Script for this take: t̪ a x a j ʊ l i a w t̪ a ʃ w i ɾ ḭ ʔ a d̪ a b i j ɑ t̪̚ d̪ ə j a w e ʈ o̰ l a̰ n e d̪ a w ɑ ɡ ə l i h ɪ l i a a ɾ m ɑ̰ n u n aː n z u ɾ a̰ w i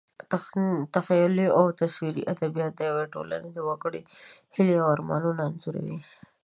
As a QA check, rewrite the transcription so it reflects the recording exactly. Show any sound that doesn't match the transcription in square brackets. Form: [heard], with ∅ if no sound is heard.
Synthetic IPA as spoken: t̪ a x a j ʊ l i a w t̪ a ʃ w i ɾ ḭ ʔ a d̪ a b i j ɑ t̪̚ d̪ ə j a w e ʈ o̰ l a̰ n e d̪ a w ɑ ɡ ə [ɽ] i h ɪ l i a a ɾ m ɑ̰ n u n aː n z u ɾ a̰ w i